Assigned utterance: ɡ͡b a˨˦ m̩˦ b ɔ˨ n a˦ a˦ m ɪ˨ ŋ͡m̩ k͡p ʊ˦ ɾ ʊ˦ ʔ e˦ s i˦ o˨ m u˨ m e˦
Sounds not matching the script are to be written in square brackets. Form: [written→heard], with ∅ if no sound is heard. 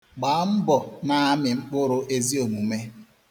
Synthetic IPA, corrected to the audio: ɡ͡b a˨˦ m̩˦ b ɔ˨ n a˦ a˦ m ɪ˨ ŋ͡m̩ k͡p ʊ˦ ɾ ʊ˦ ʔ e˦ [s→z] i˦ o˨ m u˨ m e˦